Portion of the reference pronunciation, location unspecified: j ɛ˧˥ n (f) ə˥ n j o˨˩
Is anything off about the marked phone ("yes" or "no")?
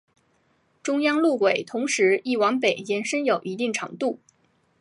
yes